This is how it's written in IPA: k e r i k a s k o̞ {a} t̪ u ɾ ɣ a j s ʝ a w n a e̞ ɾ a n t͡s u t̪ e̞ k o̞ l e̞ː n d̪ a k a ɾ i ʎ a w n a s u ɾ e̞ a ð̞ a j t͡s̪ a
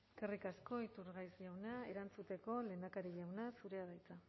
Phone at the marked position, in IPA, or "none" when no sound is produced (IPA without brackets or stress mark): i